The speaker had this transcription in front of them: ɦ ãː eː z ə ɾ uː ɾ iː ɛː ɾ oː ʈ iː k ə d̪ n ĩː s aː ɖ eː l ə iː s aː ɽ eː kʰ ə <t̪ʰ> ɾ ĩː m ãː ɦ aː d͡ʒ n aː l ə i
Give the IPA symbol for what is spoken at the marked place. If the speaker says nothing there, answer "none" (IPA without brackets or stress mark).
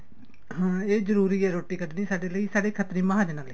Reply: t̪